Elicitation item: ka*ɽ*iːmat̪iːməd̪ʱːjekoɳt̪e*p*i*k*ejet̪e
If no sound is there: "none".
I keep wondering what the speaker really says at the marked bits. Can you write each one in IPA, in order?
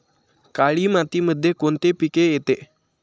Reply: ɭ, p, k

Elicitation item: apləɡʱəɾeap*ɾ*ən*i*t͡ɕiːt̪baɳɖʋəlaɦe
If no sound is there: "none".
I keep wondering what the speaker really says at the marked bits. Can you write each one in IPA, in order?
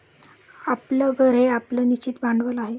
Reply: l, i

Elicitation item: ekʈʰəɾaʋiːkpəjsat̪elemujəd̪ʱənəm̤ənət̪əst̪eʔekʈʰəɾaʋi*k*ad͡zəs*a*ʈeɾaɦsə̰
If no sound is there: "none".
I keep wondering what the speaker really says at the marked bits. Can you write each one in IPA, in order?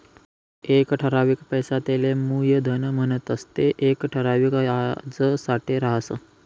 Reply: k, a

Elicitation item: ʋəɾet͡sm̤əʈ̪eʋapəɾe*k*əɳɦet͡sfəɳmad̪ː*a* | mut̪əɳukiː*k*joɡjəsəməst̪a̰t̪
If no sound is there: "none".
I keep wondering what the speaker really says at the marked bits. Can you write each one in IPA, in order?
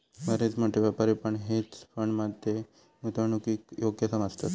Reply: p, e, k

